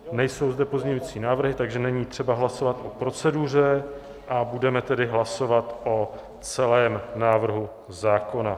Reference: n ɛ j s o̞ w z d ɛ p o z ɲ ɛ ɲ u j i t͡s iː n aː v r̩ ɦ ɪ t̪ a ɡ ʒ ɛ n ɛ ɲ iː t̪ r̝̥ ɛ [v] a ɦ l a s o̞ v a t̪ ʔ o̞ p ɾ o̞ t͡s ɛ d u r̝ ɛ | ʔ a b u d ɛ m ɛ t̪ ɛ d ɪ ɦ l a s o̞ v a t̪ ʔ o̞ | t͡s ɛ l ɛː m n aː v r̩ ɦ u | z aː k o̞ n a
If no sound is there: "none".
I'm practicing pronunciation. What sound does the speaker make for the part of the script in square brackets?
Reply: b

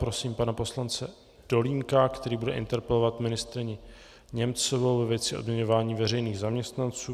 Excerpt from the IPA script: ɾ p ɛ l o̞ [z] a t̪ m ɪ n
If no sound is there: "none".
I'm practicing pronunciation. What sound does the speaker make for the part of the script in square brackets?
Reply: v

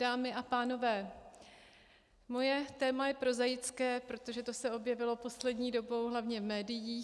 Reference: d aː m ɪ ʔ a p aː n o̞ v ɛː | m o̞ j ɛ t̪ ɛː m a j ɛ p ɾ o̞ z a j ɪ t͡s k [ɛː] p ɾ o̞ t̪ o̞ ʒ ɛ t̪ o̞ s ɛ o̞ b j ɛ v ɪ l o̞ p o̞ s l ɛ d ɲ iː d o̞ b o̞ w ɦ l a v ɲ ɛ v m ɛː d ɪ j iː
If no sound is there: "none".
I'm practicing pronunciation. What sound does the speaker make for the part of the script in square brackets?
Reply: ɛː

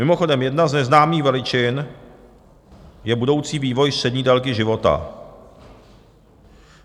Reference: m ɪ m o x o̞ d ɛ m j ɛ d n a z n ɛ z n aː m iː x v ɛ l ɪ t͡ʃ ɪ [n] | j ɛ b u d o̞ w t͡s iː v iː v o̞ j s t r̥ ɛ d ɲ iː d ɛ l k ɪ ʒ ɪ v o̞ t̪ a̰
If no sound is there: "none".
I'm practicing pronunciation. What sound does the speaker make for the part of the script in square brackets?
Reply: n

